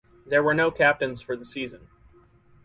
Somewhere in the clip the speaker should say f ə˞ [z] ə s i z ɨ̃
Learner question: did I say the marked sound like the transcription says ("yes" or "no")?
no